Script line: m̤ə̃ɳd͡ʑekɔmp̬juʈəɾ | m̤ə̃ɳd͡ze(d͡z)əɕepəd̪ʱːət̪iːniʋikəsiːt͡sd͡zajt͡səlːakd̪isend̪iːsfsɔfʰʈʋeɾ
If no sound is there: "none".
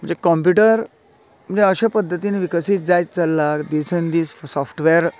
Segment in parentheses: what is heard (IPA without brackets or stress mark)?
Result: none